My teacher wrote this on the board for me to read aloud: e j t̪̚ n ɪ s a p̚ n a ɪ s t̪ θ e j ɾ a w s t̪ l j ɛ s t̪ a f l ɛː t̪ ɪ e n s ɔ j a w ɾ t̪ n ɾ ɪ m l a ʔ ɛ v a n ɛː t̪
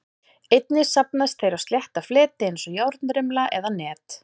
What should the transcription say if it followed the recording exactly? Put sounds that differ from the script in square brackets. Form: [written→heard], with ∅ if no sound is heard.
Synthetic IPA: e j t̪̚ n ɪ s a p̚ n a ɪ s t̪ θ e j ɾ a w s t̪ l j ɛ [s→h] t̪ a f l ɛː t̪ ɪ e n s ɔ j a w ɾ t̪ n ɾ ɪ m l a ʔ ɛ [v→ð] a n ɛː t̪